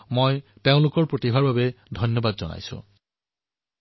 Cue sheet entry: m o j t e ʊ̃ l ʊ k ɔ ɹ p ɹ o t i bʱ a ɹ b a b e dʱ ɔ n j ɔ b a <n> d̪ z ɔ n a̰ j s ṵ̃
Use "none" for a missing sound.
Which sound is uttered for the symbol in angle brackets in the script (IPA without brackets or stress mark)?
none